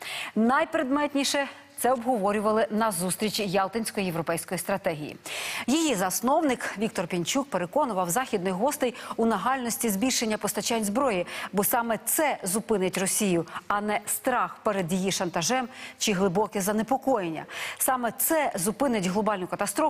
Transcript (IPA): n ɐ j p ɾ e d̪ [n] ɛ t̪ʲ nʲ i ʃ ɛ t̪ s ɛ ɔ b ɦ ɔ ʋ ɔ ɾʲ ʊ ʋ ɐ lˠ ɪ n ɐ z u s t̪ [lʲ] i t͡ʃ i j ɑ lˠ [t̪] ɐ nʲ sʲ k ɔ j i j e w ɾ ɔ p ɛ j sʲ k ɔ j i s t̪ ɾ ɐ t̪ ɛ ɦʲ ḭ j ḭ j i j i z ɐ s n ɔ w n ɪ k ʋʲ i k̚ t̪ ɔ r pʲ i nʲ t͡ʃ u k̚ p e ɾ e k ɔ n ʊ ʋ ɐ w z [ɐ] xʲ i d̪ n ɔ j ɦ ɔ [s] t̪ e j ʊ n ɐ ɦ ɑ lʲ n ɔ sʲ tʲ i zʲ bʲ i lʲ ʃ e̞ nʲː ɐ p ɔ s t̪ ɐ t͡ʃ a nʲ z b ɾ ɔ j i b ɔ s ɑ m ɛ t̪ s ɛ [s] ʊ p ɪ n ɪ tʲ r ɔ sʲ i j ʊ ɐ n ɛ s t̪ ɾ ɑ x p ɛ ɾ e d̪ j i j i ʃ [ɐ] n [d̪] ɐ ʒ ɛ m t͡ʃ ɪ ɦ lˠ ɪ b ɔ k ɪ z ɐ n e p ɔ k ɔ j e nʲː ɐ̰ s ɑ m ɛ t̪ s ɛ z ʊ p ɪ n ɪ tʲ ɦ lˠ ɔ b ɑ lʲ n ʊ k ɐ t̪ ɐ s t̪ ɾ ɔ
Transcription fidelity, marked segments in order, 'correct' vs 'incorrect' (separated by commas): incorrect, incorrect, correct, incorrect, correct, incorrect, correct, incorrect